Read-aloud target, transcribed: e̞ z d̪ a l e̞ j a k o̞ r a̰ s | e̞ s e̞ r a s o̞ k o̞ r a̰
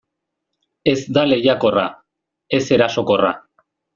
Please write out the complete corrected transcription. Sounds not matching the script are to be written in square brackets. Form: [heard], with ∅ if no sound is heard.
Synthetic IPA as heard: e̞ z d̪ a l e̞ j a k o̞ r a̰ [∅] | e̞ s e̞ [ɾ] a s o̞ k o̞ r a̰